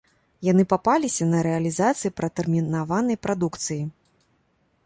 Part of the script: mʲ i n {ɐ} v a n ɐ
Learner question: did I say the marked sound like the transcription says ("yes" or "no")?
no